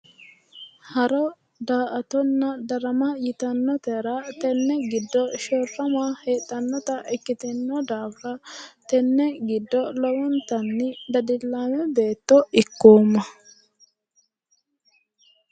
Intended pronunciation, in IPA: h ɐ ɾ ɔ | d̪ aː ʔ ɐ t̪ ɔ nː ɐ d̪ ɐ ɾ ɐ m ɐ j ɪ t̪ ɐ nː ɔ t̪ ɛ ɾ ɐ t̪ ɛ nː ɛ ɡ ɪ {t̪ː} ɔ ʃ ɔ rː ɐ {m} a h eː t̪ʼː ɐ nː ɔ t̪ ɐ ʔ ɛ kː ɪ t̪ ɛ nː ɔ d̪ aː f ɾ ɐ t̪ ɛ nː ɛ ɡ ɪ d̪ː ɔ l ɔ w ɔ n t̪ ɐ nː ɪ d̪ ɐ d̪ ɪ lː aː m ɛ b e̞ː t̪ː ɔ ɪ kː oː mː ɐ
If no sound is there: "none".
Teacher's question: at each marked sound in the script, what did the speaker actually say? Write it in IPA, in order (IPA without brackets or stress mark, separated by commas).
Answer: d̪ː, m